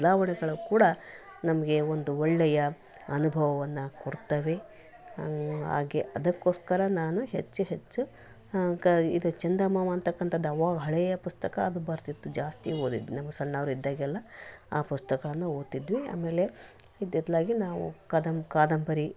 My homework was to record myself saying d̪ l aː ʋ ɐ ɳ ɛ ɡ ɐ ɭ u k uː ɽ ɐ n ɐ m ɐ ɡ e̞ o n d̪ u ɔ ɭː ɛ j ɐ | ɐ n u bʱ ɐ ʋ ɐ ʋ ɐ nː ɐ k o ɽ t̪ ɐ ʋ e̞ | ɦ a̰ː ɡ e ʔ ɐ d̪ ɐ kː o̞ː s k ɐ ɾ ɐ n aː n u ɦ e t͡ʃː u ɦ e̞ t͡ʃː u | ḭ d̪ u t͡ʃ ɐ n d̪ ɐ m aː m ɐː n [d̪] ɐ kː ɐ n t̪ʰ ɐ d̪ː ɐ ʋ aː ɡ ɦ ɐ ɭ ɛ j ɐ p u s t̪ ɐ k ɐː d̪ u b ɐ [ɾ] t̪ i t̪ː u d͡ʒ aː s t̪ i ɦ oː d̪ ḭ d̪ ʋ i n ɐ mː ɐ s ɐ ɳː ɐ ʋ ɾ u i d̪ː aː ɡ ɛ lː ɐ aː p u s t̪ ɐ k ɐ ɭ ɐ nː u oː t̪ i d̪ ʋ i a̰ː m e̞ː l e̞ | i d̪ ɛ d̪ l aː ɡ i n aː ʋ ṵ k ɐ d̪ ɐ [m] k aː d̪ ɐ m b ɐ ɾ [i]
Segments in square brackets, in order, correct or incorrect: incorrect: t̪, correct, correct, correct

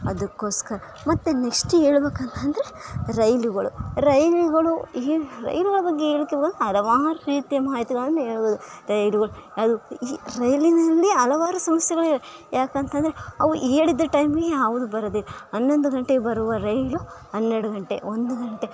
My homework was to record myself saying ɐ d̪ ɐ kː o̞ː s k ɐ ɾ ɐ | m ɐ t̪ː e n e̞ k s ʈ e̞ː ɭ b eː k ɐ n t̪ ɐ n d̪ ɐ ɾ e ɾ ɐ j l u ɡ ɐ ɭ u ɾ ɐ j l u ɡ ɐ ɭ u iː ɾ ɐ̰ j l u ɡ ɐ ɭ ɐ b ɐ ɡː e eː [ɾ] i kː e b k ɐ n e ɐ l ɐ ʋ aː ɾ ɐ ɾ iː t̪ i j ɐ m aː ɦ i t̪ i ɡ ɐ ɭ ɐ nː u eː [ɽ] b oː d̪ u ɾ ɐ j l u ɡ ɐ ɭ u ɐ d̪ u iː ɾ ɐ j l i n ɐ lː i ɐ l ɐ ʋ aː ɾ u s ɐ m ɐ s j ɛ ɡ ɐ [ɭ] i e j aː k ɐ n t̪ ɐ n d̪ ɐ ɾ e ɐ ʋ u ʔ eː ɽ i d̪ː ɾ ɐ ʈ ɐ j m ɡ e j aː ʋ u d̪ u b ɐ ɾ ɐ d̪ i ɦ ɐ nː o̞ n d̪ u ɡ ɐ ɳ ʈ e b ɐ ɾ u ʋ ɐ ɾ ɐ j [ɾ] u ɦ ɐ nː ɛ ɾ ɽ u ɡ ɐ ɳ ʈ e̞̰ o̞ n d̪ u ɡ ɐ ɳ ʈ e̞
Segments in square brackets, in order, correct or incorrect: incorrect: ɭ, incorrect: ɭ, correct, incorrect: l

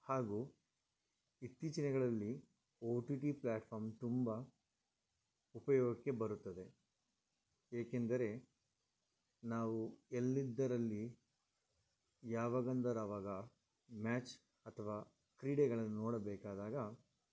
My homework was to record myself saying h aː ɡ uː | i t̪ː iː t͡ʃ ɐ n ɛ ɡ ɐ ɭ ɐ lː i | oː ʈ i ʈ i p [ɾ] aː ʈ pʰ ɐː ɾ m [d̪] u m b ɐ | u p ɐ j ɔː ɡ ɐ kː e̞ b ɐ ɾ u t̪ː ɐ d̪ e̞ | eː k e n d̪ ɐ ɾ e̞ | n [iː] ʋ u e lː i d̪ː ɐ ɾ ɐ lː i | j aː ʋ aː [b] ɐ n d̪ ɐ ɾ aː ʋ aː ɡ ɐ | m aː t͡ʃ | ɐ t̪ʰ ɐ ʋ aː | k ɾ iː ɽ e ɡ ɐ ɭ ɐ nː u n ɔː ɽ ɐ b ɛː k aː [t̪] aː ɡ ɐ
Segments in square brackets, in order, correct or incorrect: incorrect: l, incorrect: t̪, incorrect: aː, incorrect: ɡ, incorrect: d̪

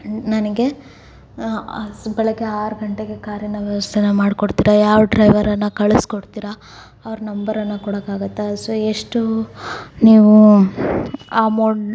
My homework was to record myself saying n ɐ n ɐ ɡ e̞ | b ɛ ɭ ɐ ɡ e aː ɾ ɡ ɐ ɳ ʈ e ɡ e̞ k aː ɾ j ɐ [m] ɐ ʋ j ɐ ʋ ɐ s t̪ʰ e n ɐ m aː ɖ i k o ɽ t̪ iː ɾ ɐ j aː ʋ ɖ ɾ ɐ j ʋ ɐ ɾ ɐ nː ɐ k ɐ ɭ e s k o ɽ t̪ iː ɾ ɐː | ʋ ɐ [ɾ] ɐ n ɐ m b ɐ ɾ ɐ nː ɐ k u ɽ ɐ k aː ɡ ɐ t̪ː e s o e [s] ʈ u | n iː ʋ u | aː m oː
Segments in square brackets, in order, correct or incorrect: incorrect: n, correct, incorrect: ʂ

